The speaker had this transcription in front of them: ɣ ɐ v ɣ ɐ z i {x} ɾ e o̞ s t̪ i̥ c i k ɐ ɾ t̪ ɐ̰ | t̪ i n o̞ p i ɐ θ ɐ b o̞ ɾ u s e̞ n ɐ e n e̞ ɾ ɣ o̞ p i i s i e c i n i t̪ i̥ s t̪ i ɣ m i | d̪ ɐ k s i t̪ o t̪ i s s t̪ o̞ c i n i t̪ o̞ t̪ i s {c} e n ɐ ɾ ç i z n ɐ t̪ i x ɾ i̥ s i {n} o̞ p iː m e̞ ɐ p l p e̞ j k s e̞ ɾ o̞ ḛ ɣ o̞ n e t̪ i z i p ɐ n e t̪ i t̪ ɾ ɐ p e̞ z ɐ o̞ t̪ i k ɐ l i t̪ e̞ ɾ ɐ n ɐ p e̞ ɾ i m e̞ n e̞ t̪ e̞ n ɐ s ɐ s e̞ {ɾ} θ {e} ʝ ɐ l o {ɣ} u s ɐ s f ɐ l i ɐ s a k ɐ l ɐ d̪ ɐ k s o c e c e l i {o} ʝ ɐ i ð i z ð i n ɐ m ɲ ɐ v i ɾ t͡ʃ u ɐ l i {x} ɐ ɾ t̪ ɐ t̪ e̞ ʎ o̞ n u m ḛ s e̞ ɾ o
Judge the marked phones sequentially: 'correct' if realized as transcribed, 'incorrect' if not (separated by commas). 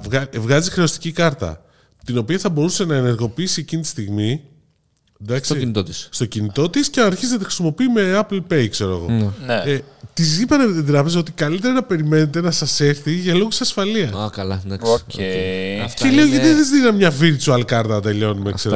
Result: correct, correct, incorrect, correct, incorrect, correct, correct, incorrect